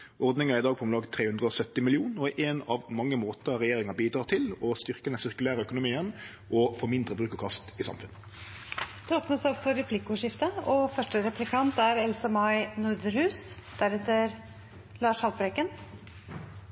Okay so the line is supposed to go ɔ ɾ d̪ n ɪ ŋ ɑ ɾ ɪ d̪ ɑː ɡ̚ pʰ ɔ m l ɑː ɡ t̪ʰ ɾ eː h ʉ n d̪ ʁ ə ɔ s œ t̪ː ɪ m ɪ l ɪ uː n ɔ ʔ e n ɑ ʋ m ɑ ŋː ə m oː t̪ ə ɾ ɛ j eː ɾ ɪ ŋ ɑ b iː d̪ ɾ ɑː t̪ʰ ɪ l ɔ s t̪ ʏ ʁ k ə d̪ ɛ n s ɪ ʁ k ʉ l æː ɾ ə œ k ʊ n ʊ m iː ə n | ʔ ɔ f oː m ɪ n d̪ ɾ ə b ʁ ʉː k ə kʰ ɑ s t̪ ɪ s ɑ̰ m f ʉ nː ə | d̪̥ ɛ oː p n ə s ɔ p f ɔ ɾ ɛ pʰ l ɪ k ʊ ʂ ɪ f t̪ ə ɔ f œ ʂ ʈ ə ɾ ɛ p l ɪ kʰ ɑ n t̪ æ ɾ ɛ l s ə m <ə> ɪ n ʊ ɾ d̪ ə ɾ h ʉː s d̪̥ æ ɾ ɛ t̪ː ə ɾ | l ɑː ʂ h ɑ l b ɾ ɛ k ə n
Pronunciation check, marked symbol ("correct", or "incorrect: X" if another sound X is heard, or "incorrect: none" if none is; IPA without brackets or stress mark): incorrect: ɑ